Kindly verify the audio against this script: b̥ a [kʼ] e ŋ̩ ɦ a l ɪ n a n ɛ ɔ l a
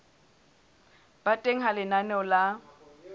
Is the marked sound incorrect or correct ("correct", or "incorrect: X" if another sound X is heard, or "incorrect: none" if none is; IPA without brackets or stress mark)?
incorrect: tʼ